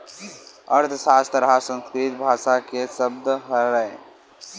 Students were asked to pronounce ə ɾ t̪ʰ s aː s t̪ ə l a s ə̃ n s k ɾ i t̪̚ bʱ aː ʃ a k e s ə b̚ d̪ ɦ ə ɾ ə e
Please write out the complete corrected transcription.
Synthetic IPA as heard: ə ɾ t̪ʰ s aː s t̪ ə ɾ a s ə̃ n s k ɾ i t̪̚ bʱ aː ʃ a k e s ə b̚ d̪ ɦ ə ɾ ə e

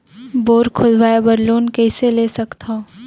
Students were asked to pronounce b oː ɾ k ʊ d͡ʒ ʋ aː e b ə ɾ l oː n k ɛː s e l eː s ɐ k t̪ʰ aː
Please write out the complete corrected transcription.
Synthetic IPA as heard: b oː ɾ kʰ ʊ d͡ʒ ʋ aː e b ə ɾ l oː n k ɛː s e l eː s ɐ k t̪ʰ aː

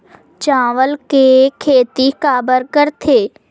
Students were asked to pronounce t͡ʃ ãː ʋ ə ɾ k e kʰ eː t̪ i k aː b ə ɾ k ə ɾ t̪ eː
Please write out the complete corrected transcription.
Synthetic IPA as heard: t͡ʃ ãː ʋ ə l k e kʰ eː t̪ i k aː b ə ɾ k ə ɾ t̪ʰ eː

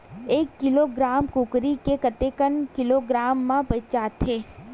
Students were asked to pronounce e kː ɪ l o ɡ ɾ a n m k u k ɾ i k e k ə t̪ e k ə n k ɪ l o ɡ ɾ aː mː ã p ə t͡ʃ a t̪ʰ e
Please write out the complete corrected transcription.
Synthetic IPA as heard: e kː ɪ l o ɡ ɾ a m k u k ɾ i k e k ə t̪ e k ə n k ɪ l o ɡ ɾ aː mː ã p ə t͡ʃ a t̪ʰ e

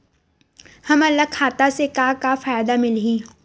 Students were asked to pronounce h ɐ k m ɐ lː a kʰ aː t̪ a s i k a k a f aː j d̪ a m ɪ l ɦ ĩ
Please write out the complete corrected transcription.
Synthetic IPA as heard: h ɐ m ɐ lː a kʰ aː t̪ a s e k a k a f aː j d̪ a m ɪ l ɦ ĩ

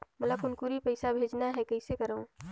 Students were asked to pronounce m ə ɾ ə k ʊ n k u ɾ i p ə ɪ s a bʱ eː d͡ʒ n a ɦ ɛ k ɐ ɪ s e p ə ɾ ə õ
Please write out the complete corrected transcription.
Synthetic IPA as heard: m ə l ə k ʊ n k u ɾ i p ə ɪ s a bʱ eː d͡ʒ n a ɦ ɛ k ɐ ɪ s e k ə ɾ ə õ

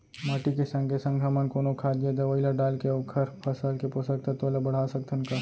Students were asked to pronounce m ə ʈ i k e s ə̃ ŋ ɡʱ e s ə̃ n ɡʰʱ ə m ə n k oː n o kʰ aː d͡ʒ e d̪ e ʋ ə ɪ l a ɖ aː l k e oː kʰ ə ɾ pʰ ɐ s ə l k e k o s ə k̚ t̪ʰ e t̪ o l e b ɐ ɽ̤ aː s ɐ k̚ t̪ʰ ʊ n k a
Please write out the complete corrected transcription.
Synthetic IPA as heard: m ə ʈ i k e s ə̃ ŋ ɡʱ e s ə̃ ŋ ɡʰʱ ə m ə n k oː n o kʰ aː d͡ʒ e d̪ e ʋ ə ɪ l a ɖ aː l k e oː kʰ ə ɾ pʰ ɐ s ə l k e p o s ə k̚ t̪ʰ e t̪ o l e b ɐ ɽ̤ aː s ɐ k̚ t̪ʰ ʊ n k a

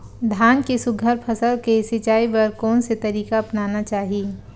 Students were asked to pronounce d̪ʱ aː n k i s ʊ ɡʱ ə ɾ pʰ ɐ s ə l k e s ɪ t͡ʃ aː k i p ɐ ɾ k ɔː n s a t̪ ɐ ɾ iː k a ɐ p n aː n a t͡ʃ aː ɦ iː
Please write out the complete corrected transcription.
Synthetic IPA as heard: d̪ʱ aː n k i s ʊ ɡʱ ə ɾ pʰ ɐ s ə l k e s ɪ t͡ʃ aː i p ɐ ɾ k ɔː n s e t̪ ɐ ɾ iː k a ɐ p n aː n a t͡ʃ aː ɦ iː

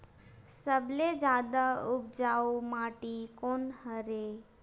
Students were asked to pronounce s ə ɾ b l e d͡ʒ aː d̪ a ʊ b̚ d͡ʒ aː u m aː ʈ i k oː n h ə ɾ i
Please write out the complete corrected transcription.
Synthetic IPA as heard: s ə b l e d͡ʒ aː d̪ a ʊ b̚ d͡ʒ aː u m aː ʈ i k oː n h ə ɾ e

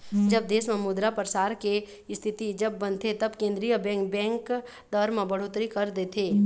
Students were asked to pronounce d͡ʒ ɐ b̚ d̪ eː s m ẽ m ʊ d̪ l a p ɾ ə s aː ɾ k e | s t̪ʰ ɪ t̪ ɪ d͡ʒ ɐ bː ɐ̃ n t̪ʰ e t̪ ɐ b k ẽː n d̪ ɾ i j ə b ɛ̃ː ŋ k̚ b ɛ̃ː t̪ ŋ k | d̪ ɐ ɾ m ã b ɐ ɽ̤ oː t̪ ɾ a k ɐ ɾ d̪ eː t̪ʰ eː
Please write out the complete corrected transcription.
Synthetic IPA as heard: d͡ʒ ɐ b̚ d̪ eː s m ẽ m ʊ d̪ ɾ a p ɾ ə s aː ɾ k e | s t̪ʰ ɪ t̪ i d͡ʒ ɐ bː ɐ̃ n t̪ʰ e t̪ ɐ b k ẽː n d̪ ɾ i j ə b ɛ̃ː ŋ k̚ b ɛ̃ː ŋ k | d̪ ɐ ɾ m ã b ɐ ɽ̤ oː t̪ ɾ i k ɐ ɾ d̪ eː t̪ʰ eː

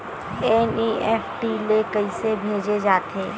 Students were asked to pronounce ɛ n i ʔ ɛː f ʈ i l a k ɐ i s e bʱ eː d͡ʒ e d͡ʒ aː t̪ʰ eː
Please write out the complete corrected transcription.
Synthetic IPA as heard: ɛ n i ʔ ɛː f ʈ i l e k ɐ i s e bʱ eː d͡ʒ e d͡ʒ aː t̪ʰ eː

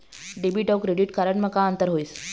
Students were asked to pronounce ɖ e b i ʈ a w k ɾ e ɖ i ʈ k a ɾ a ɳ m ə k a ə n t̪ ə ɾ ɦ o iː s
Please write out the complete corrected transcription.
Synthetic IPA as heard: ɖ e b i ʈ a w k ɾ e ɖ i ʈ k a ɾ ə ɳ m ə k a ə n t̪ ə ɾ ɦ o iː s

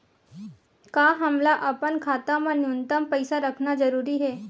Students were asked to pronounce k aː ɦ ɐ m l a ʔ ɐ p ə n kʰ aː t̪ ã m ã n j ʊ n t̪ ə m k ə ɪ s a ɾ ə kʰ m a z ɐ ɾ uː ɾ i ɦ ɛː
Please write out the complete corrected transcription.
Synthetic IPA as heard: k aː ɦ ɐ m l a ʔ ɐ p ə n kʰ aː t̪ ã m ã n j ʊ n t̪ ə m p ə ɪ s a ɾ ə kʰ n a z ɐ ɾ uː ɾ i ɦ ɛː

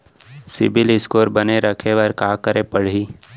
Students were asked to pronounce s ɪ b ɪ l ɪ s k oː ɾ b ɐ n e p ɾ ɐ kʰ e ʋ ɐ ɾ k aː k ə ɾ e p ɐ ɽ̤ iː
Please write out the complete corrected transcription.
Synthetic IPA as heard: s ɪ b ɪ l ɪ s k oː ɾ b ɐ n e ɾ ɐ kʰ e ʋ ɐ ɾ k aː k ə ɾ e p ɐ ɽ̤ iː

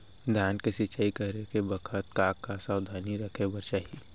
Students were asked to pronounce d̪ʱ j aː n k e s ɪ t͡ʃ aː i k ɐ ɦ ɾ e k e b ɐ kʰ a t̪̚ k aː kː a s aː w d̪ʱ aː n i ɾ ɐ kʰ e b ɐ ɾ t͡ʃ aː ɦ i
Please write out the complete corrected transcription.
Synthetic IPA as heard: d̪ʱ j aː n k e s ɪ t͡ʃ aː i k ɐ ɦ ɾ e k e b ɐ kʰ ə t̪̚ k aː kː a s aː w d̪ʱ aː n i ɾ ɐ kʰ e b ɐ ɾ t͡ʃ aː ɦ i

